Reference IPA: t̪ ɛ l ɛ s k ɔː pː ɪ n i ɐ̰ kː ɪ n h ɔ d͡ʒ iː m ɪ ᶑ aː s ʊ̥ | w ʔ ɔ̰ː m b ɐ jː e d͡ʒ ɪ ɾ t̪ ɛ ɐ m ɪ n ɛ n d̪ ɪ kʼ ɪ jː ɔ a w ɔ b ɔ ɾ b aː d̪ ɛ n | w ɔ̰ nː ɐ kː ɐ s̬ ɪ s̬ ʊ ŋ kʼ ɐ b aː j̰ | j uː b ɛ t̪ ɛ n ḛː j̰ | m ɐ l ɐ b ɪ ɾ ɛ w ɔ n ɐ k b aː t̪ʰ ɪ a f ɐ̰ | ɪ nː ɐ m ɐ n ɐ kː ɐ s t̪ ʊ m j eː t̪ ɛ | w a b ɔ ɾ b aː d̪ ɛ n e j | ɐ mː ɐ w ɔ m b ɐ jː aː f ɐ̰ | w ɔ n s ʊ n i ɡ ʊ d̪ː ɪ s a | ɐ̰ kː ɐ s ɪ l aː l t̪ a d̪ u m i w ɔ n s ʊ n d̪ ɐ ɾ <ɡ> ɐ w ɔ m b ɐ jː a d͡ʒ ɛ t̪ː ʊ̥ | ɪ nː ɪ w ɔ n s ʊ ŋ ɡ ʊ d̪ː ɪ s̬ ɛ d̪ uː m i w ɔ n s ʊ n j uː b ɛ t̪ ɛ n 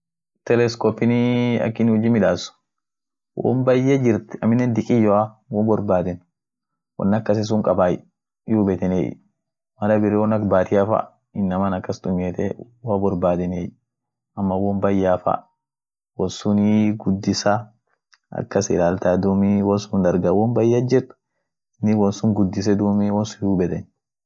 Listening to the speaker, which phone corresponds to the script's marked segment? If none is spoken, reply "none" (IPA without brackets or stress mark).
ɡ